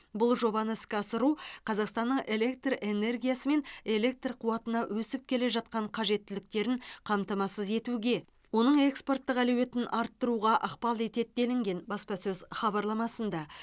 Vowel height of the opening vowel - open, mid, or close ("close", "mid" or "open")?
close